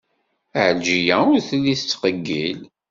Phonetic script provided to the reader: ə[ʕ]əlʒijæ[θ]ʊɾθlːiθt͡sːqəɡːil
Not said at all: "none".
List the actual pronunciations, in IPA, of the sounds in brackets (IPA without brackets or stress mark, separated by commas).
ʕ, none